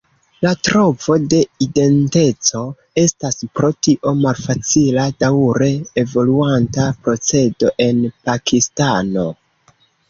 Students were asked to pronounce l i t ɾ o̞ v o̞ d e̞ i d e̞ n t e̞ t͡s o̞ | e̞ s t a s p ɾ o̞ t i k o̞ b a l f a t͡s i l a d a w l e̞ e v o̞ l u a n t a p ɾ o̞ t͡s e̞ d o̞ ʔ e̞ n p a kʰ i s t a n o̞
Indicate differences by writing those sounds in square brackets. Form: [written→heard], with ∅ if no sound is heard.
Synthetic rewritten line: l [i→a] t ɾ o̞ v o̞ d e̞ i d e̞ n t e̞ t͡s o̞ | e̞ s t a s p ɾ o̞ t i [k→ʔ] o̞ [b→m] a l f a t͡s i l a d a w [l→ɾ] e̞ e v o̞ l u a n t a p ɾ o̞ t͡s e̞ d o̞ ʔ e̞ n p a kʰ i s t a n o̞